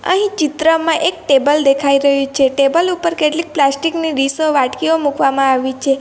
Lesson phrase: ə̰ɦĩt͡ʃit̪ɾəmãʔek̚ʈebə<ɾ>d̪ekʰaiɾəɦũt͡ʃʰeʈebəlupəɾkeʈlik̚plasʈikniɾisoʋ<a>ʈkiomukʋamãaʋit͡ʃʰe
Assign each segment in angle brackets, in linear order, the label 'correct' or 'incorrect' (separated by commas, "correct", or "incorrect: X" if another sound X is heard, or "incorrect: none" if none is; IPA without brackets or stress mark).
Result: incorrect: l, correct